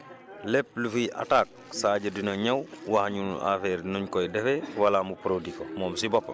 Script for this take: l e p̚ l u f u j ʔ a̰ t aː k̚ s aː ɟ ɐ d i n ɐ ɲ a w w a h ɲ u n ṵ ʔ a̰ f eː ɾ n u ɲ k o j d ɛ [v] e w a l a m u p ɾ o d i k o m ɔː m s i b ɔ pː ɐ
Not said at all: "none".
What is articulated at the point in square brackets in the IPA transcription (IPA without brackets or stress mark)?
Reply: f